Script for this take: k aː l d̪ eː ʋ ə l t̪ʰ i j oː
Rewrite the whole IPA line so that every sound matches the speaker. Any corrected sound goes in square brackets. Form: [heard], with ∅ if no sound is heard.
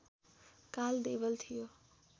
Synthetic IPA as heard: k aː l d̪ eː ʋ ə l t̪ʰ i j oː